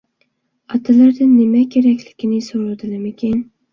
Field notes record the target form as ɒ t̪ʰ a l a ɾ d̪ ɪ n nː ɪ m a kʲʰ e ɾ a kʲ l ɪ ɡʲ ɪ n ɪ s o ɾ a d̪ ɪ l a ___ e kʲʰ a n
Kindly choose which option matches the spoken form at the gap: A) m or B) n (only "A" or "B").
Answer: A